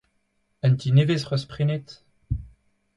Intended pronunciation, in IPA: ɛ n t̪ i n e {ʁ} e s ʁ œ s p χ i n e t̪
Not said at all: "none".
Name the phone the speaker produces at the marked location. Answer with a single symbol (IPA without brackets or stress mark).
v